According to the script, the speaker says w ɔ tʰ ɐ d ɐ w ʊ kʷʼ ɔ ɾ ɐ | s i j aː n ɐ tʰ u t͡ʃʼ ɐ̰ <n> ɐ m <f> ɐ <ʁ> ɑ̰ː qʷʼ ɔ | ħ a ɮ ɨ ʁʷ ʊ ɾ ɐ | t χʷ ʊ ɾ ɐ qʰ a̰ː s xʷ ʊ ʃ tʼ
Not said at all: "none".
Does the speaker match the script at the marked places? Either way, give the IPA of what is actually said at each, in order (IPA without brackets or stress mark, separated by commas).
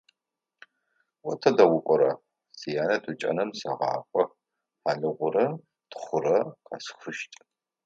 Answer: n, s, ʁ